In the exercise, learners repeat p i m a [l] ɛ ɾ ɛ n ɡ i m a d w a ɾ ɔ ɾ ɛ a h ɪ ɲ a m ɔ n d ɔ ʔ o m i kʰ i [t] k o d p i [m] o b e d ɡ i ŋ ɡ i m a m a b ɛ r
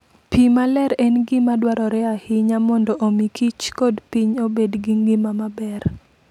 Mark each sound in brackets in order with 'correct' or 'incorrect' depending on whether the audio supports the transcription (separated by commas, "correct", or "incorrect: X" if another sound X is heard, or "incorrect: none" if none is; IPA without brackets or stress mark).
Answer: correct, incorrect: t͡ʃ, incorrect: ɲ